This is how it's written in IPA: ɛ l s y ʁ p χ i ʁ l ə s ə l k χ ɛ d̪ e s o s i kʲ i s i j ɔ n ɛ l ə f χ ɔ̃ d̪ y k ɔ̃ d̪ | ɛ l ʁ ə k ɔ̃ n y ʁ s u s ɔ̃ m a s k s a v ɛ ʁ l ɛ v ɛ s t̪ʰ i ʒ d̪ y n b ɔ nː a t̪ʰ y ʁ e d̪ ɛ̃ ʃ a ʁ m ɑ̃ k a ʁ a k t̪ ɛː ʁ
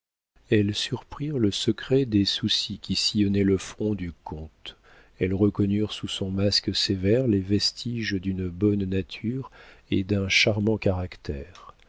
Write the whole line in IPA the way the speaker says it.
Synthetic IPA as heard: ɛ l s y ʁ p χ i ʁ l ə s ə k χ ɛ d̪ e s u s i kʲ i s i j ɔ n ɛ l ə f χ ɔ̃ d̪ y k ɔ̃ t̪ | ɛ l ʁ ə k ɔ n y ʁ s u s ɔ̃ m a s k s e v ɛ ʁ l e v ɛ s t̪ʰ i ʒ d̪ y n b ɔ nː a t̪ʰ y ʁ e d̪ ɛ̃ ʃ a ʁ m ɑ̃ k a ʁ a k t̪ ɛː ʁ